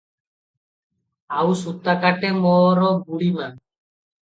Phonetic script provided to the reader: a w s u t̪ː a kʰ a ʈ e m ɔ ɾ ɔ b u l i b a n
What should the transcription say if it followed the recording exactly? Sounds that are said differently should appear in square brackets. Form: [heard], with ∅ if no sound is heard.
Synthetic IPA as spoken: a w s u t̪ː a [k] a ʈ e m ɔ ɾ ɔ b u [ɽ] i [m] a n

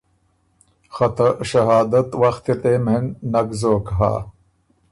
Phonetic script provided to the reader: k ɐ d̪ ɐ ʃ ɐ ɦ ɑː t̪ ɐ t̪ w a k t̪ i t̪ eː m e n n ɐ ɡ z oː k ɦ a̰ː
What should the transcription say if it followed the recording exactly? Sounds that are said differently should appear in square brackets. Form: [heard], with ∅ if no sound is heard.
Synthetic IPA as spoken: [x] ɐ [t̪] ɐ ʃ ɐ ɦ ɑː [d̪] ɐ t̪ w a [x] t̪ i t̪ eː m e n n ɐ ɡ z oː k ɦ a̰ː

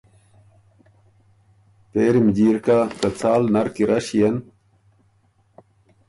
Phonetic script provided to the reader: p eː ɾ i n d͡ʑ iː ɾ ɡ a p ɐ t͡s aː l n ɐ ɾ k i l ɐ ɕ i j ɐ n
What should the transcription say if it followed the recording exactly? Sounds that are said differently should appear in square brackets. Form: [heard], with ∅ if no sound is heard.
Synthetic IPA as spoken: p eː ɾ i [m] d͡ʑ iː ɾ [k] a [k] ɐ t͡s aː l n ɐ ɾ k i [ɾ] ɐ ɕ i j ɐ n

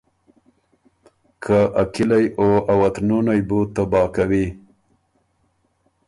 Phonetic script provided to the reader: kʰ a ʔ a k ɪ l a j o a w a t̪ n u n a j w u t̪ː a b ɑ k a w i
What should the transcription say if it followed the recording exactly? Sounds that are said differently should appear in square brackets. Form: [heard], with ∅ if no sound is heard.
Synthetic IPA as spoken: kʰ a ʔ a k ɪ l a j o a w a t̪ n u n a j [b] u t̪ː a b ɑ k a w i

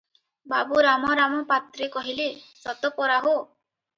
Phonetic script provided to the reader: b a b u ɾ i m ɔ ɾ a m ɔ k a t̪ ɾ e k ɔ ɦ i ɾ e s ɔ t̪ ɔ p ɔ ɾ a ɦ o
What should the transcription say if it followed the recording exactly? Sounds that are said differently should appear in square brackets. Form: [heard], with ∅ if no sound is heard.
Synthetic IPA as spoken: b a b u ɾ [a] m ɔ ɾ a m ɔ [p] a t̪ ɾ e k ɔ ɦ i [l] e s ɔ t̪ ɔ p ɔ ɾ a ɦ o

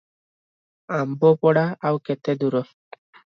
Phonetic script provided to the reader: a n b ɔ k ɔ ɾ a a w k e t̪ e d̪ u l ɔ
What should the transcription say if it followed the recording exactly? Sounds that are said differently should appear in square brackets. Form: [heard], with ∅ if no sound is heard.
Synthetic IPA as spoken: a [m] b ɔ [p] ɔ [ɽ] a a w k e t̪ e d̪ u [ɾ] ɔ

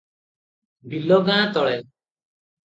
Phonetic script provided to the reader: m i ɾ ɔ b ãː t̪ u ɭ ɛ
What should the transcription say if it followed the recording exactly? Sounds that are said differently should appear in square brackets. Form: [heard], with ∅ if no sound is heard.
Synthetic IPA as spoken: [b] i [l] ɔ [ɡ] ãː t̪ [ɔ] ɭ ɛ

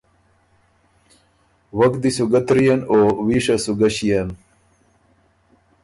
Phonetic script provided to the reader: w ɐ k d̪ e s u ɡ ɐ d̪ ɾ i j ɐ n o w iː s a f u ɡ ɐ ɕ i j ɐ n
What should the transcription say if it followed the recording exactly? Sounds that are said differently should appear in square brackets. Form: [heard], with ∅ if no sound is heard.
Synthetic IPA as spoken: w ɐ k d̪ [i] s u ɡ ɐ [t̪] ɾ i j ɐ n o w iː [ʂ] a [s] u ɡ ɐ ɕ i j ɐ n

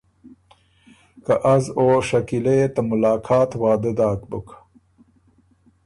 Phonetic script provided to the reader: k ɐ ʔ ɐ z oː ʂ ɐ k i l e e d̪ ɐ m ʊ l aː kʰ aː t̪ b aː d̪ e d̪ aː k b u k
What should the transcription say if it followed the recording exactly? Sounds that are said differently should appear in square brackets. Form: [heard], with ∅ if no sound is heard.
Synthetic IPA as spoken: k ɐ ʔ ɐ z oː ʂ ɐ k i l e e [t̪] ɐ m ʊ l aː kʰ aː t̪ [w] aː d̪ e d̪ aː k b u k

